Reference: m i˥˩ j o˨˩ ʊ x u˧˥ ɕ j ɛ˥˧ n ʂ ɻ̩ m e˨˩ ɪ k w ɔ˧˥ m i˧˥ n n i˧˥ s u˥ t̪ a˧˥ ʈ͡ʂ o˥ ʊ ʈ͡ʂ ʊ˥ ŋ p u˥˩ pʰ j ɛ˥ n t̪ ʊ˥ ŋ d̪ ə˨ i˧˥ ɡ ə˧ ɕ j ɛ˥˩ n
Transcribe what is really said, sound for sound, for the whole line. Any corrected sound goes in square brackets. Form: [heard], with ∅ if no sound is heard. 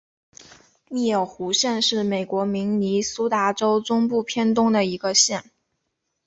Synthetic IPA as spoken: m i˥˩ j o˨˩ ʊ x u˧˥ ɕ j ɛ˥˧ n ʂ ɻ̩ m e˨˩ ɪ k w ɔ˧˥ m i˧˥ [ŋ] n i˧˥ s u˥ t̪ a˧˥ ʈ͡ʂ o˥ ʊ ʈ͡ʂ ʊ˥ ŋ p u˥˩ pʰ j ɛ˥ n t̪ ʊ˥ ŋ d̪ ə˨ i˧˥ ɡ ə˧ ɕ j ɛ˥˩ n